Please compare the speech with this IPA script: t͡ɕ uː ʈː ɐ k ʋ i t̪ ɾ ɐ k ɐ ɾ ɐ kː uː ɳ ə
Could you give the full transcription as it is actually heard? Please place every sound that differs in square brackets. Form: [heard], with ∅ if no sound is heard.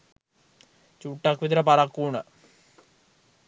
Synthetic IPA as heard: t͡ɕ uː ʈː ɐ k ʋ i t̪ ɾ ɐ [p] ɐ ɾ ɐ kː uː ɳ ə